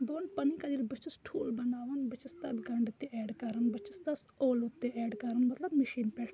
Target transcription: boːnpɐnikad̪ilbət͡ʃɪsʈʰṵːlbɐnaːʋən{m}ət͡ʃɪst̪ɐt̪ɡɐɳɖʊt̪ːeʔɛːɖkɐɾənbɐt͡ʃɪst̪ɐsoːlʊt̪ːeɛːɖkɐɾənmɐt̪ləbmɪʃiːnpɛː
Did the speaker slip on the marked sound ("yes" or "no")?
yes